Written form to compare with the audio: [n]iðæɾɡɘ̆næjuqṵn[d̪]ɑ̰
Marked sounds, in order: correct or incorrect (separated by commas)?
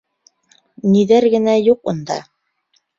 correct, correct